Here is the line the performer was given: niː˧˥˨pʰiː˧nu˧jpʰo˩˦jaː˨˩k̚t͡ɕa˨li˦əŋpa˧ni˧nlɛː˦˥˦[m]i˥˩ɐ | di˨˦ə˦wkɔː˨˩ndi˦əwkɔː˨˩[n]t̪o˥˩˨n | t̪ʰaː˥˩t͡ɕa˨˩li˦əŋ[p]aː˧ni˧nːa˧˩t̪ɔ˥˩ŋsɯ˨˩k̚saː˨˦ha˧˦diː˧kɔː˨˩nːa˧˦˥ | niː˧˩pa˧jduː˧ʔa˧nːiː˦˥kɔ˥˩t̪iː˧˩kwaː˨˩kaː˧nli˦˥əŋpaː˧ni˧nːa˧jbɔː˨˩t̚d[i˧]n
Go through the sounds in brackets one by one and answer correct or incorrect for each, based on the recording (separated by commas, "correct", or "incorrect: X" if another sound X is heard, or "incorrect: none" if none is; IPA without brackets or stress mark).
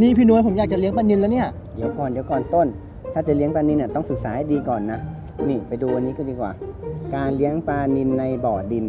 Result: incorrect: n, correct, correct, correct